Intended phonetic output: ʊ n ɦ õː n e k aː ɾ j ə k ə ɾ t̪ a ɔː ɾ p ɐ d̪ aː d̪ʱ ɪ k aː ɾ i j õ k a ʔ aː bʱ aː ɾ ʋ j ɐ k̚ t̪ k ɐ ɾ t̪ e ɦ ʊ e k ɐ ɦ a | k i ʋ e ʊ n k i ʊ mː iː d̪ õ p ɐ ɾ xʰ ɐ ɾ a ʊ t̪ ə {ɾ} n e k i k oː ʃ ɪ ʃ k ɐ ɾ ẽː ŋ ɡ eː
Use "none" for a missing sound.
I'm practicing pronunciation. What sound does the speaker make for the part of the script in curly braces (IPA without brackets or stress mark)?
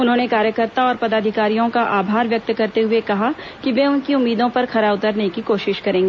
ɾ